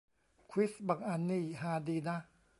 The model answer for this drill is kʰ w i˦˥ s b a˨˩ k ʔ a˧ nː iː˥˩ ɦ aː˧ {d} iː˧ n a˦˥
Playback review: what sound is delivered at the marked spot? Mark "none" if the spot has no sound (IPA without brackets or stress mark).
d